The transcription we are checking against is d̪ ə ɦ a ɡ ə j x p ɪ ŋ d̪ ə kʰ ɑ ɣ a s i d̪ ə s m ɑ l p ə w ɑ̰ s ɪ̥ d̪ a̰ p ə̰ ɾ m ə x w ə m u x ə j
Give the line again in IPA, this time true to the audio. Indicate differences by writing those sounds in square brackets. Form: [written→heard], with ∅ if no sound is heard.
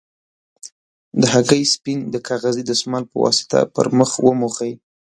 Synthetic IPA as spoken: d̪ ə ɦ a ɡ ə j [x→s] p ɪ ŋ d̪ ə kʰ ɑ ɣ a [s→z] i d̪ ə s m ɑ l p ə w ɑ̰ s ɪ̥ [d̪→t̪] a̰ p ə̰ ɾ m ə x w ə m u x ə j